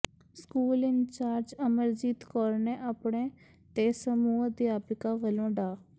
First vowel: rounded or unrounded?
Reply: rounded